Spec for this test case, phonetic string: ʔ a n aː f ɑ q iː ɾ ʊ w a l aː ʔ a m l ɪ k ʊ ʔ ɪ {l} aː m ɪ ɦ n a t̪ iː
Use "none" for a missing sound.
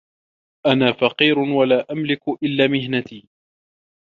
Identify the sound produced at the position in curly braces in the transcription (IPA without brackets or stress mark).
lː